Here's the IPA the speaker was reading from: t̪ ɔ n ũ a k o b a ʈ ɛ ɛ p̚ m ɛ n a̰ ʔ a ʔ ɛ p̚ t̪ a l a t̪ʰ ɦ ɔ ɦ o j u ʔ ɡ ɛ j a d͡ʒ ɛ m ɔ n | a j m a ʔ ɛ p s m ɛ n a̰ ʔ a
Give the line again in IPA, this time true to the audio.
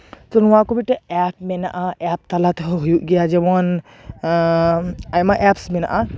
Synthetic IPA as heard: t̪ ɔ n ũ a k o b i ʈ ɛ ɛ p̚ m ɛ n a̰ ʔ a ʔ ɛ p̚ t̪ a l a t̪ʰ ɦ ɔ ɦ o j u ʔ ɡ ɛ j a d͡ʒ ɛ m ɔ n | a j m a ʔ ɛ p s m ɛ n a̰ ʔ a